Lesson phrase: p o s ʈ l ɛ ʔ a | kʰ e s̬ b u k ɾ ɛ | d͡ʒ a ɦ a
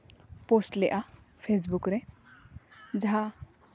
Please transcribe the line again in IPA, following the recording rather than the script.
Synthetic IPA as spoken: p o s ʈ l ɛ ʔ a | pʰ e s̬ b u k ɾ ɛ | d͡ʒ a ɦ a